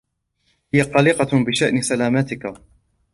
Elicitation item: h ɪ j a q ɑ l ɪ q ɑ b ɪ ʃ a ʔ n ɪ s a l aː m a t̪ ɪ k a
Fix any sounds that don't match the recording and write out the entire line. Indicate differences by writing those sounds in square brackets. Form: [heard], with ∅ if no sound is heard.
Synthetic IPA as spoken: h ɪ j a q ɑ l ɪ q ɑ b ɪ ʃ a ʔ n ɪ s a l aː m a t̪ ɪ k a